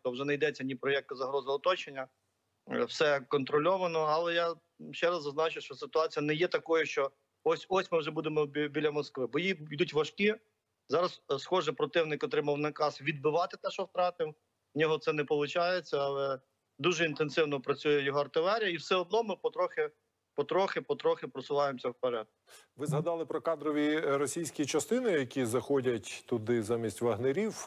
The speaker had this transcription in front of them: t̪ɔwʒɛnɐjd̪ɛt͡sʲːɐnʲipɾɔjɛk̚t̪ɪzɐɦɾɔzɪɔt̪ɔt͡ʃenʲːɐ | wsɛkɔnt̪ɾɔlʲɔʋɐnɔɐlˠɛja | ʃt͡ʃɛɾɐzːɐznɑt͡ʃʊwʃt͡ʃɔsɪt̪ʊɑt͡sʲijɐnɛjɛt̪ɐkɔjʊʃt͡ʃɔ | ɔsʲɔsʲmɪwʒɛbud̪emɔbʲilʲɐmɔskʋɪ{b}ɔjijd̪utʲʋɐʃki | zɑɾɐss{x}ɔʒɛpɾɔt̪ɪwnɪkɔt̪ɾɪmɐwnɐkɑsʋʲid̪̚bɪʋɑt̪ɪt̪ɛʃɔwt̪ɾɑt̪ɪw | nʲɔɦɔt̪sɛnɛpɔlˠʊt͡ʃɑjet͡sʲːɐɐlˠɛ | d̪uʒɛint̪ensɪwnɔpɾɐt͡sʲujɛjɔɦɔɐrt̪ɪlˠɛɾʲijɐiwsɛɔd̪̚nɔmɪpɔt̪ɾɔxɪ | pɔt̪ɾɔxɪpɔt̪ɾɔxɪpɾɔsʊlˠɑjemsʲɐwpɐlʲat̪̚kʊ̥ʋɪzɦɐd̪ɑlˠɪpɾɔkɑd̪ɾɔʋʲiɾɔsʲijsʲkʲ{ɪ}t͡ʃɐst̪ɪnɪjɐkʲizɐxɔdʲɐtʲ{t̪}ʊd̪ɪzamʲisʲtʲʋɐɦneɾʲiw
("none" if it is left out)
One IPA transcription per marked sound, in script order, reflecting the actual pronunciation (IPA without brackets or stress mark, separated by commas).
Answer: b, x, i, t̪